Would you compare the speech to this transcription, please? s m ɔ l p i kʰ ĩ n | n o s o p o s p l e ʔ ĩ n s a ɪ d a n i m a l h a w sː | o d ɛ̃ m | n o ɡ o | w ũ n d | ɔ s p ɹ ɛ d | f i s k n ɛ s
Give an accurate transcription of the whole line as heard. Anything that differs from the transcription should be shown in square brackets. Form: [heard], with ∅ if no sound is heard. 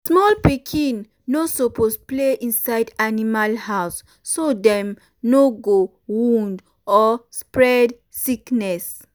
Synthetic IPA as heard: s m ɔ l p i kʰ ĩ n | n o s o p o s p l e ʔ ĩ n s a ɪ d a n i m a l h a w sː | o d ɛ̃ m | n o ɡ o | w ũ n d | ɔ s p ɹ ɛ d | [s] i [∅] k n ɛ s